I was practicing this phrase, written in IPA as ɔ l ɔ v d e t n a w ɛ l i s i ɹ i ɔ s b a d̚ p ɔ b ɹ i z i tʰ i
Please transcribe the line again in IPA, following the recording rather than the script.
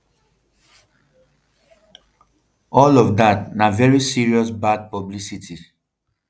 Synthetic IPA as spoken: ɔ l ɔ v d a t n a v ɛ ɹ i s i ɹ i ɔ s b a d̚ p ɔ b l i s i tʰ i